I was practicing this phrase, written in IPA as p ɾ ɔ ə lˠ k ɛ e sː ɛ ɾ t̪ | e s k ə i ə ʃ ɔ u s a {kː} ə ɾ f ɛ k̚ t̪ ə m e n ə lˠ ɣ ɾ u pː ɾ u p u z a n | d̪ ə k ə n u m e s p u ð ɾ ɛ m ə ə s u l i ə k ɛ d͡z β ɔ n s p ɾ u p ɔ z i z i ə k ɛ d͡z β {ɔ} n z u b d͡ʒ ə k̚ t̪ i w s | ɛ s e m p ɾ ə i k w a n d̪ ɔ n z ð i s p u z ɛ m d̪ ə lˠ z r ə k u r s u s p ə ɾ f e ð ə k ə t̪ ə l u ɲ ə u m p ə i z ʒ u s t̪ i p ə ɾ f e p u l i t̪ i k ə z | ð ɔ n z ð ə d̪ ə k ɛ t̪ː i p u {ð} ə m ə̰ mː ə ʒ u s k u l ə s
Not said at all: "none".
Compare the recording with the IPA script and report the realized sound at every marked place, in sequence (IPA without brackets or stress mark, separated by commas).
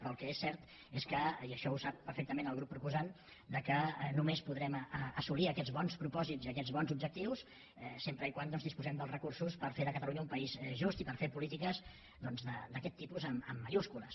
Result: pː, ɔ, z